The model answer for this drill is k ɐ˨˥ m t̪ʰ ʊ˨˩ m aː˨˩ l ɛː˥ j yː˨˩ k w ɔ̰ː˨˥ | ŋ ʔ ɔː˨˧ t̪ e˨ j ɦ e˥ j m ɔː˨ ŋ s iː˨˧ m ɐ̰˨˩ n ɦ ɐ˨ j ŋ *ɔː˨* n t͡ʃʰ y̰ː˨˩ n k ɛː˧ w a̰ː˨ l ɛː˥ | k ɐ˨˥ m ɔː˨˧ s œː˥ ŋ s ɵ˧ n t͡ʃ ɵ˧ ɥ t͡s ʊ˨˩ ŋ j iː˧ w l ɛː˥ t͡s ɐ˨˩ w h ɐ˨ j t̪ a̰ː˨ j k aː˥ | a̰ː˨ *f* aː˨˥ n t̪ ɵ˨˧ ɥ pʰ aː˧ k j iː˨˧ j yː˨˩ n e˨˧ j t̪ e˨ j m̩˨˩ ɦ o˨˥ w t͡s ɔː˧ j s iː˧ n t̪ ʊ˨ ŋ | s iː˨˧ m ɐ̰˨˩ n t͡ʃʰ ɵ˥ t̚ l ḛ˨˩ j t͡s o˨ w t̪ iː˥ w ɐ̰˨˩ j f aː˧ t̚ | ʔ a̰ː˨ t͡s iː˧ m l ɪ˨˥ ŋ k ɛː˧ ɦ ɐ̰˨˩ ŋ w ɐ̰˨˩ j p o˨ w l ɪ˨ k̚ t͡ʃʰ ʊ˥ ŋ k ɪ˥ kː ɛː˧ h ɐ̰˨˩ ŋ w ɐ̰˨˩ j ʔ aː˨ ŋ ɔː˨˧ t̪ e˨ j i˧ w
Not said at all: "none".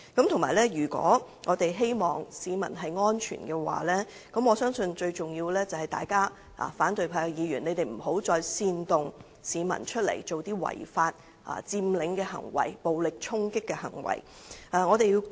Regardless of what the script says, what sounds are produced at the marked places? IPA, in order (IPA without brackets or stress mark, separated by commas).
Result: ɔː˥, f